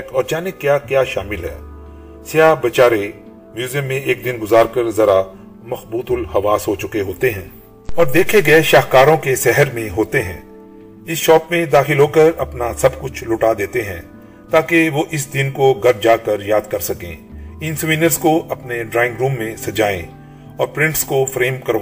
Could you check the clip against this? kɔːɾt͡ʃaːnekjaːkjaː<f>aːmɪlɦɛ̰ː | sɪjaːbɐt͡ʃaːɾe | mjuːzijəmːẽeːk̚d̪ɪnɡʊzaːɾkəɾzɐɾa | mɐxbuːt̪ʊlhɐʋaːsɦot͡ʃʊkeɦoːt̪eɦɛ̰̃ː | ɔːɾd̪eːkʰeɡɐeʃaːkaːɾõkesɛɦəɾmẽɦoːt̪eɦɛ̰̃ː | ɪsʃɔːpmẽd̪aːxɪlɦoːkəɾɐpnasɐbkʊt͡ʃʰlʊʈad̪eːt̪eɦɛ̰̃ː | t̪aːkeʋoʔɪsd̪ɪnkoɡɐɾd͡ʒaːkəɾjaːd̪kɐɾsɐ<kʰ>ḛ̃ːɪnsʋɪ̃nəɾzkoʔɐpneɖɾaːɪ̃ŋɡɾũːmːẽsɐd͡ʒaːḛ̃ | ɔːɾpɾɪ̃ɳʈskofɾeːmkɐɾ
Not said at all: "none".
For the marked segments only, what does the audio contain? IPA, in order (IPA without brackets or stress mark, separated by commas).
ʃ, k